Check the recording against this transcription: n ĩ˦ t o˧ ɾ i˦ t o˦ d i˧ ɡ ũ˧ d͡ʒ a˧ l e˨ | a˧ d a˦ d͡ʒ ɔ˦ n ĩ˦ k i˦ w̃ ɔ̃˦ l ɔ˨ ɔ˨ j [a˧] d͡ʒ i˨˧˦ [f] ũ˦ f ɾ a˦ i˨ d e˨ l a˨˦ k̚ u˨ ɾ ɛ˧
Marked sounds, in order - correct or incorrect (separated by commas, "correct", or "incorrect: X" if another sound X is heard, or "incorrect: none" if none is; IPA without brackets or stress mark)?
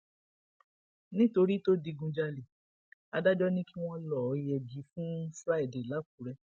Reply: incorrect: ɛ˧, correct